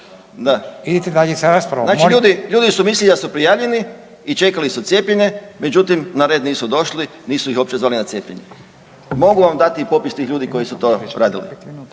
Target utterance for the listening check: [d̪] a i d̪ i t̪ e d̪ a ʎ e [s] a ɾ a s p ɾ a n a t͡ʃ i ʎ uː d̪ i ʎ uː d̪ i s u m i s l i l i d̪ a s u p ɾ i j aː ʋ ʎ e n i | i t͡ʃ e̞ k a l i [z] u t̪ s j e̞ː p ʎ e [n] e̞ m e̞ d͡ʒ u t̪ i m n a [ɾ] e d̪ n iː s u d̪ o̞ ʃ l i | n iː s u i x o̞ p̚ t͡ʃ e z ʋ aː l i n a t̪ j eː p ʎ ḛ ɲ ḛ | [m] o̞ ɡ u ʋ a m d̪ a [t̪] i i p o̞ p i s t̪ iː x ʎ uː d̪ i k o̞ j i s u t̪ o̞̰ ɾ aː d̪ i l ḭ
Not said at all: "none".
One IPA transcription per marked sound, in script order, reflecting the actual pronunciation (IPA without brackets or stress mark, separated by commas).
d̪, s, s, ɲ, ɾ, m, t̪